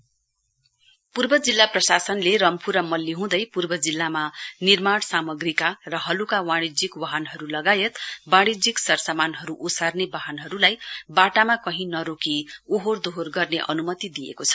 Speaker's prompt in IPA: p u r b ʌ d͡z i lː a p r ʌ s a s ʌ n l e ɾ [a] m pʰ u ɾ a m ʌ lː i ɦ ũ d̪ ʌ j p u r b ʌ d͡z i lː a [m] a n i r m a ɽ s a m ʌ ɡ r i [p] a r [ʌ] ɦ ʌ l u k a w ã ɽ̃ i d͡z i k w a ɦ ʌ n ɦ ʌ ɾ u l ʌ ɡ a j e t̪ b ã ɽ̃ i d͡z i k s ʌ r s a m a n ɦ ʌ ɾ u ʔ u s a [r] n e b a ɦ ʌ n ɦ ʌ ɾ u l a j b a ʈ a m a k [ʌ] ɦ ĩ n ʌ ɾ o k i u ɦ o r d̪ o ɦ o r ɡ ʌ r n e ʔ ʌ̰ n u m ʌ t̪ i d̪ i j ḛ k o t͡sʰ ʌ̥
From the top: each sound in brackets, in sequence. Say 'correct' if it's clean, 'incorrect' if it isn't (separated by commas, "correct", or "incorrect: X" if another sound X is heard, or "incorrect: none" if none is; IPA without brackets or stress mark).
incorrect: ʌ, correct, incorrect: k, correct, correct, correct